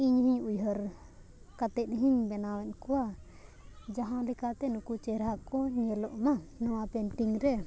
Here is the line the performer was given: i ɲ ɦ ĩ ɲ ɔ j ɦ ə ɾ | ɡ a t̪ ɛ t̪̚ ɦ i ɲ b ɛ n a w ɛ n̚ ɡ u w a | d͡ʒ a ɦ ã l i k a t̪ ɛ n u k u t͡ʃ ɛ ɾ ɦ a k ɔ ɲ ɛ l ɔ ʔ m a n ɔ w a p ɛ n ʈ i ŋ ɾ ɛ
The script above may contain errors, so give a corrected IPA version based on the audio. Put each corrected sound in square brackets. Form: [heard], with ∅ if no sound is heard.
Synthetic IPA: i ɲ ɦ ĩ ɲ [u] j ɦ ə ɾ | [k] a t̪ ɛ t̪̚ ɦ i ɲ b ɛ n a w ɛ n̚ [k] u w a | d͡ʒ a ɦ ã l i k a t̪ ɛ n u k u t͡ʃ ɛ ɾ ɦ a k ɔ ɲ ɛ l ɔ ʔ m a n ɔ w a p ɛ n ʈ i ŋ ɾ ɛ